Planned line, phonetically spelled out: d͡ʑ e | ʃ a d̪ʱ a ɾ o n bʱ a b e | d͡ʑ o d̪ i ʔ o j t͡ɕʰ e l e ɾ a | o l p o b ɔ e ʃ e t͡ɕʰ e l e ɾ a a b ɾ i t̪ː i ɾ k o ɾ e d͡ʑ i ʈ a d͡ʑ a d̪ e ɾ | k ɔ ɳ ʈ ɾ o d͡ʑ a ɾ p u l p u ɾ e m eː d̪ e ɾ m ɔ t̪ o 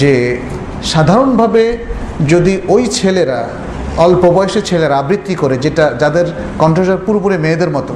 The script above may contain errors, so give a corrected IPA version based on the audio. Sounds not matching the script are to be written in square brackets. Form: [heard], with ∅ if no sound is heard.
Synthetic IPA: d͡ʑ e | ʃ a d̪ʱ a ɾ o n bʱ a b e | d͡ʑ o d̪ i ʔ o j t͡ɕʰ e l e ɾ a | [ɔ] l p o b ɔ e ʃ e t͡ɕʰ e l e ɾ a a b ɾ i t̪ː i [∅] k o ɾ e d͡ʑ [e] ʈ a d͡ʑ a d̪ e ɾ | k ɔ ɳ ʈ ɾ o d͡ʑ a ɾ p u [ɾ] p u ɾ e m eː d̪ e ɾ m ɔ t̪ o